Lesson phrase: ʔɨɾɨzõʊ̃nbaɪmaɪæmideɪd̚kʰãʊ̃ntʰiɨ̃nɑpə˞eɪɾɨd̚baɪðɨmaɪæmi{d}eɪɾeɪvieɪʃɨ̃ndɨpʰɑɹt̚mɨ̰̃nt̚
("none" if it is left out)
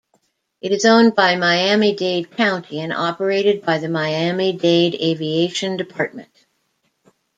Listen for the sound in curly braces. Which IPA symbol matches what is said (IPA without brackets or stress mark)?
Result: d